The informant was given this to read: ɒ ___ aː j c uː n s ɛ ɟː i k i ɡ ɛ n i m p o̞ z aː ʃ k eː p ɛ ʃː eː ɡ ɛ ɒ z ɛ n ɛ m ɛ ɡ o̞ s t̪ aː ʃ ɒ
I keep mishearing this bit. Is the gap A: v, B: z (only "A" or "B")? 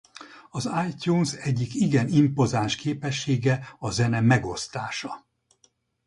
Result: B